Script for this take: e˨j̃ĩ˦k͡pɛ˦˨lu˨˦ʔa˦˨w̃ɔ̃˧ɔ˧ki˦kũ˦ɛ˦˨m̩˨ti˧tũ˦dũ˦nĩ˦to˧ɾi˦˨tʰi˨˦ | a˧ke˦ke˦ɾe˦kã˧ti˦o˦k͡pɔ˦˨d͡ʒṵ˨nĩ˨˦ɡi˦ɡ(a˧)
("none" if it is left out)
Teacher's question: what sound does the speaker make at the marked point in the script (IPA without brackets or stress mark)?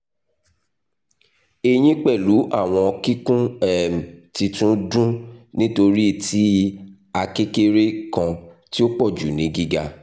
a˧